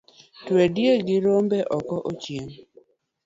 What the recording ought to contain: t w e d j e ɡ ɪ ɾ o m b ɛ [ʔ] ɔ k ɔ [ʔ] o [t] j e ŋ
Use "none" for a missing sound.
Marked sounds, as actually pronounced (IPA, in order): ʔ, ʔ, t͡ʃ

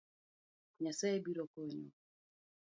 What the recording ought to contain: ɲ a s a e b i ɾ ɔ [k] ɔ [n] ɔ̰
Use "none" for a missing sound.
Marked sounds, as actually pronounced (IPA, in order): k, ɲ

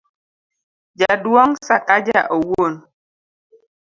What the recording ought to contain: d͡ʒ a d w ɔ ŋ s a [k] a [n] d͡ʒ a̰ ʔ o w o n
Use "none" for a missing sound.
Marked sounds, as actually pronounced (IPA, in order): k, none

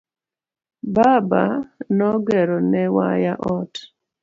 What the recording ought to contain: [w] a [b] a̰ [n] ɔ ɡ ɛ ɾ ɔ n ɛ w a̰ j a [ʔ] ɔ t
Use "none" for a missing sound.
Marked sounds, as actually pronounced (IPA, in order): b, b, n, ʔ

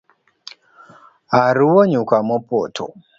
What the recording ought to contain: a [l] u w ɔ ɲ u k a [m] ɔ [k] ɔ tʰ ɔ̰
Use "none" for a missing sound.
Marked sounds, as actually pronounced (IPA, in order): ɾ, m, p

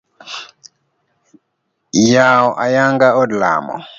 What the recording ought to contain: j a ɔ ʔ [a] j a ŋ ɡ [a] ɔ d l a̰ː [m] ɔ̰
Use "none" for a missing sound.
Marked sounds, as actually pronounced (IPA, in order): a, a, m

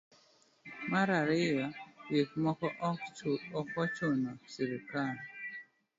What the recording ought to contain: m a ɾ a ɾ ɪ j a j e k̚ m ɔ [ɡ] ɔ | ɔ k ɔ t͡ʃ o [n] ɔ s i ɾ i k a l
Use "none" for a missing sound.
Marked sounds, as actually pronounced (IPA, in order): k, n

